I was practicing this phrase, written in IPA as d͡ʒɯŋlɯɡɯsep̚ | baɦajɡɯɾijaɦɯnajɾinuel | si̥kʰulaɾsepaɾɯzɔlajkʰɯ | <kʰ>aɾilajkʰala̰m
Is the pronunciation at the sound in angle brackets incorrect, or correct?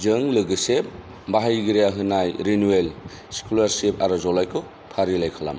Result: incorrect